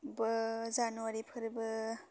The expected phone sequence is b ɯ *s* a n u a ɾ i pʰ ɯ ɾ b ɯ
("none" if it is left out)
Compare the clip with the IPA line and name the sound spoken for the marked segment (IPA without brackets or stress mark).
z